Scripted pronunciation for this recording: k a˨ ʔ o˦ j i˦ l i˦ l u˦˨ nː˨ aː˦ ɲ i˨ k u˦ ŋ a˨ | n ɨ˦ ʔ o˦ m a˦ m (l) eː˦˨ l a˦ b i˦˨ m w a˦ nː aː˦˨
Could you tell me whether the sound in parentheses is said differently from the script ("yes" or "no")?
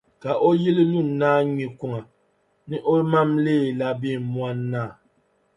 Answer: no